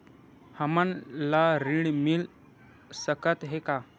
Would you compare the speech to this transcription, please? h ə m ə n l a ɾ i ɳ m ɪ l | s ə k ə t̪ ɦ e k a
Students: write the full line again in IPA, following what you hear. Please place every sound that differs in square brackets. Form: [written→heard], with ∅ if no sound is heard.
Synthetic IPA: h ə m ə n l a ɾ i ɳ m [ɪ→i] l | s ə k ə t̪ ɦ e k a

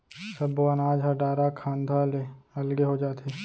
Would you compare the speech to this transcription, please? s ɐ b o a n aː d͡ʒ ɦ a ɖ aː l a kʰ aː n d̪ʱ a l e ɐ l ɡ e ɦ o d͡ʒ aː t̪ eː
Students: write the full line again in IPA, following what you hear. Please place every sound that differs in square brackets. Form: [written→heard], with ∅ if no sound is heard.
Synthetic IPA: s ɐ b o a n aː d͡ʒ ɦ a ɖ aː [l→ɾ] a kʰ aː n d̪ʱ a l e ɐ l ɡ e ɦ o d͡ʒ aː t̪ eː

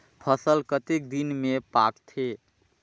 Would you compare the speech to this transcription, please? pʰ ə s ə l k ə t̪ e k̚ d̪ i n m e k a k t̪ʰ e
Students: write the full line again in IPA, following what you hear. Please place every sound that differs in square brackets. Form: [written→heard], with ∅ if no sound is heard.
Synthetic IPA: pʰ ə s ə l k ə t̪ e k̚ d̪ i n m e [k→p] a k t̪ʰ e

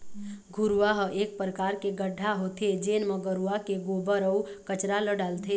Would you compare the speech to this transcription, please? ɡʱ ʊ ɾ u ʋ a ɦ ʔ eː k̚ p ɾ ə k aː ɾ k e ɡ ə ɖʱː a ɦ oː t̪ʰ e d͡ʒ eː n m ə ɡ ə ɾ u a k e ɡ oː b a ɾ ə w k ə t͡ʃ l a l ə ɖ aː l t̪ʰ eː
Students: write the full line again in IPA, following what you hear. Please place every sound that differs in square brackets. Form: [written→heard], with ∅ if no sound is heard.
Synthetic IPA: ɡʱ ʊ ɾ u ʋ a ɦ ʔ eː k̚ p ɾ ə k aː ɾ k e ɡ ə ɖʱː a ɦ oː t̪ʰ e d͡ʒ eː n m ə ɡ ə ɾ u a k e ɡ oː b [a→ə] ɾ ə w k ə t͡ʃ [l→ɾ] a l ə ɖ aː l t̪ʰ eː

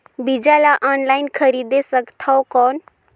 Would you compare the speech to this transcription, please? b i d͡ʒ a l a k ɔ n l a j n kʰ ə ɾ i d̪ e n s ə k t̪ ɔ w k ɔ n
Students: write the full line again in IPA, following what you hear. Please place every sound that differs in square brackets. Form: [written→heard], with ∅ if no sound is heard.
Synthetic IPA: b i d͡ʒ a l a [k→ʔ] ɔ n l a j n kʰ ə ɾ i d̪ e [n→∅] s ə k [t̪→t̪ʰ] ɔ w k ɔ n

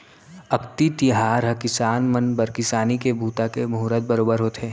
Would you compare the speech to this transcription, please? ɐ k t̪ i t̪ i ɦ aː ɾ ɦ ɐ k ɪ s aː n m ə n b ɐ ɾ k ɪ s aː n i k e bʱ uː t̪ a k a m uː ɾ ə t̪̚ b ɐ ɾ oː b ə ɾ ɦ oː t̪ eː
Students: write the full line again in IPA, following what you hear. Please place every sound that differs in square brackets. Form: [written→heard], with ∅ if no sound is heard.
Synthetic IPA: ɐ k t̪ i t̪ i ɦ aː ɾ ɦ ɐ k ɪ s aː n m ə n b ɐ ɾ k ɪ s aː n i k e bʱ uː t̪ a k [a→e] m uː ɾ ə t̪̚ b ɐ ɾ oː b ə ɾ ɦ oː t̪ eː

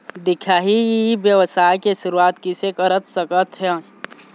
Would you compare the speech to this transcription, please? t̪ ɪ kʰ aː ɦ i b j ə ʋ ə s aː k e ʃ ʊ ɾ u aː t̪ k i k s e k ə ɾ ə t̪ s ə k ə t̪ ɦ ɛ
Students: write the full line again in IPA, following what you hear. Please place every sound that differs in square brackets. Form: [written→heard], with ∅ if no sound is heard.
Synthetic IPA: [t̪→d̪] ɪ kʰ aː ɦ i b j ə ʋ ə s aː k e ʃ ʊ ɾ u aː t̪ k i [k→∅] s e k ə ɾ ə t̪ s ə k ə t̪ ɦ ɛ

